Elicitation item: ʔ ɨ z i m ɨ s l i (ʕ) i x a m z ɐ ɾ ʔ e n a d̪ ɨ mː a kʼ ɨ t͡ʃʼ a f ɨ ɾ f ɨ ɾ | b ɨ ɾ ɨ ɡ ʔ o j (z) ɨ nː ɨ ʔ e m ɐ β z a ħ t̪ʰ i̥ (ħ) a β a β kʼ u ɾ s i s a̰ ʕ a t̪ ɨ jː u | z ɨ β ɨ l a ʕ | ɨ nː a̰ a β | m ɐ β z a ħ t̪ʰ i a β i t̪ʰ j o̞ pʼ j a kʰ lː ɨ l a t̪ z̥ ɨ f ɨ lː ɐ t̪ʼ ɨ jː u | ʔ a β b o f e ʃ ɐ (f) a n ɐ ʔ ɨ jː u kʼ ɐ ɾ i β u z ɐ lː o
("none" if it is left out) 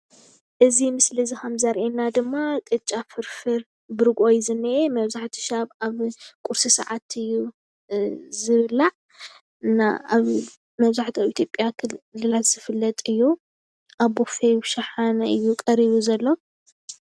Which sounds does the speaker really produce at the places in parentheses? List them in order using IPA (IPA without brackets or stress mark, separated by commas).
z, z, ʃ, ħ